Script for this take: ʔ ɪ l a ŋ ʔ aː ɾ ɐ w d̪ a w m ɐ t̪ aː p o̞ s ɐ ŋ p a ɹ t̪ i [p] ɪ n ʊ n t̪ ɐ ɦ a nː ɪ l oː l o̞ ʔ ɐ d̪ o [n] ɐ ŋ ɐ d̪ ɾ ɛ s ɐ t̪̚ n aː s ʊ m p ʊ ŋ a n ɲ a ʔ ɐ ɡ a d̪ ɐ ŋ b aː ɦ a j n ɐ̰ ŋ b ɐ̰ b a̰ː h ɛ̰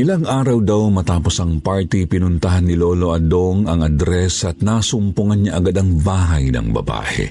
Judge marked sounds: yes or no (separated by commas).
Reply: yes, no